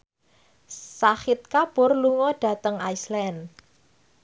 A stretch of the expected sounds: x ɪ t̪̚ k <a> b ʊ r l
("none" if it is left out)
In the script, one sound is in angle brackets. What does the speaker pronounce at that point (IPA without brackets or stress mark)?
a